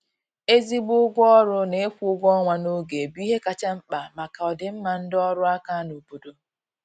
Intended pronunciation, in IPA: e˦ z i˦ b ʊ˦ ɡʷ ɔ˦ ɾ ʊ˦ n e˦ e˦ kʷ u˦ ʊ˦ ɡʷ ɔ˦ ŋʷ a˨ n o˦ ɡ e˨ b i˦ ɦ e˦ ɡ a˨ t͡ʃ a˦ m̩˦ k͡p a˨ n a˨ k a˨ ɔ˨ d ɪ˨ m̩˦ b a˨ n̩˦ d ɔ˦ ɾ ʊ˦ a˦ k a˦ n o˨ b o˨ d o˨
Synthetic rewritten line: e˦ z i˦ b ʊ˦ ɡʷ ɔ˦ ɾ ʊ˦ n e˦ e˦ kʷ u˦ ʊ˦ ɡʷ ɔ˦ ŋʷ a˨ n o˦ ɡ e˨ b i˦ ɦ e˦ k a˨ t͡ʃ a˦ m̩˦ k͡p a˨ m a˨ k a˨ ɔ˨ d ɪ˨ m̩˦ m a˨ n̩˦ d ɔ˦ ɾ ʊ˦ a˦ k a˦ n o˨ b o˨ d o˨